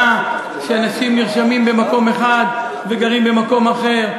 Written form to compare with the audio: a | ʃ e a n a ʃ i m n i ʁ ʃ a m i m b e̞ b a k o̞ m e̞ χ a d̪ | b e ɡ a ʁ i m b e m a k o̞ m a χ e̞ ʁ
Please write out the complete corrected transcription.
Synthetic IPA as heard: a | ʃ e a n a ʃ i m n i ʁ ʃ a m i m b e̞ m a k o̞ m e̞ χ a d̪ | v e ɡ a ʁ i m b e m a k o̞ m a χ e̞ ʁ